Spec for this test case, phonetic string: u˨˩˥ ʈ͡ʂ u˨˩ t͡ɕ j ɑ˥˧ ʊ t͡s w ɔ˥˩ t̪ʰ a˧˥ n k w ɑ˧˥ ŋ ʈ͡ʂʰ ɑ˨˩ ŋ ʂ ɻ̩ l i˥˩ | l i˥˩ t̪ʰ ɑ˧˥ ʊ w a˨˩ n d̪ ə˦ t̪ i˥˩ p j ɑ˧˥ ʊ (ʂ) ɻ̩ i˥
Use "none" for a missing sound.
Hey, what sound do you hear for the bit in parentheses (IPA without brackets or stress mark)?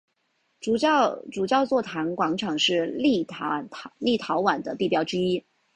ʈ͡ʂ